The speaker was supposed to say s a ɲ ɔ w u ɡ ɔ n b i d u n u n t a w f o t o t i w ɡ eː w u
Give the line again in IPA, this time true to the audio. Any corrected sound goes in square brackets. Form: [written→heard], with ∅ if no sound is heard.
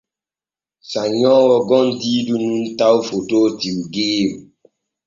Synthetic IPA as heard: s a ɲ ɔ w [u→ɔ] ɡ ɔ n [b→d] i d u n u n t a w f o t o t i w ɡ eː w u